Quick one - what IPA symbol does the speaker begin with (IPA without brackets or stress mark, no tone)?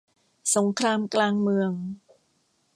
s